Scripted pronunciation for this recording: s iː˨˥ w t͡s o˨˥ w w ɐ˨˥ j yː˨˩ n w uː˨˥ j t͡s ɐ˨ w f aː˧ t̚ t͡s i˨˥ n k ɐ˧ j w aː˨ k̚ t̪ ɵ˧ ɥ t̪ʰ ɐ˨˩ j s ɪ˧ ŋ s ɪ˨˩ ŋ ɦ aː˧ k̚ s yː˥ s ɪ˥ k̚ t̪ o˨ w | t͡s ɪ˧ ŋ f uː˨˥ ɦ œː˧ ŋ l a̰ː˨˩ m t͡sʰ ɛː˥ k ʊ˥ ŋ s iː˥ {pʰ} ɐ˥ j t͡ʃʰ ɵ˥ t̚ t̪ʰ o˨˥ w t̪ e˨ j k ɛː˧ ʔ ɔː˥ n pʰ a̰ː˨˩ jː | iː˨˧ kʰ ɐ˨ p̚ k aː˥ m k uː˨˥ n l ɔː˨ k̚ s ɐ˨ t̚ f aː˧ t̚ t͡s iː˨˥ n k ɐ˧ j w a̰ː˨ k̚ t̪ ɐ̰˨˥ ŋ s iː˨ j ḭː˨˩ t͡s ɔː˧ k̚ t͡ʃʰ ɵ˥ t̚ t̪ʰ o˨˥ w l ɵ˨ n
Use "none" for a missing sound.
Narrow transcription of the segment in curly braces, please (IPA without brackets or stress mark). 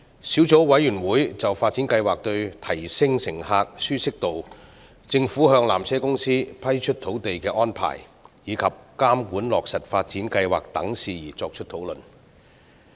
pʰ